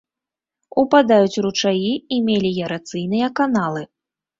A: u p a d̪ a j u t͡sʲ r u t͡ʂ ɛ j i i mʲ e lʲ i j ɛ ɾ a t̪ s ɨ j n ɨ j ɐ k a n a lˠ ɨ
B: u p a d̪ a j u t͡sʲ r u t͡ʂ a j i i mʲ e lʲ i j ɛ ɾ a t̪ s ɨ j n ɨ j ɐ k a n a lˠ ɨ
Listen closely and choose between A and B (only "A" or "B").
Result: B